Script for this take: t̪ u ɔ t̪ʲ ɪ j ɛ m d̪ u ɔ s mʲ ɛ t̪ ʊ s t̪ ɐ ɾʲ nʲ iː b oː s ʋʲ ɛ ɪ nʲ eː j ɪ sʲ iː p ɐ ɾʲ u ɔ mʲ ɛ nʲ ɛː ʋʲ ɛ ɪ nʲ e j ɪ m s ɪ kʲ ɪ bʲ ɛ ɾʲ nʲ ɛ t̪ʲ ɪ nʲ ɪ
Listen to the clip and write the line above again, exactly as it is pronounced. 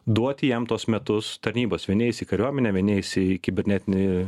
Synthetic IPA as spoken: d̪ u ɔ t̪ʲ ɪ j ɛ m t̪ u ɔ s mʲ ɛ t̪ ʊ s t̪ ɐ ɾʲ nʲ iː b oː s ʋʲ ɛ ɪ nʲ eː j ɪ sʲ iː k ɐ ɾʲ u ɔ mʲ ɛ nʲ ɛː ʋʲ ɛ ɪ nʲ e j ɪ s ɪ kʲ ɪ bʲ ɛ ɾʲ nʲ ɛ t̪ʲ ɪ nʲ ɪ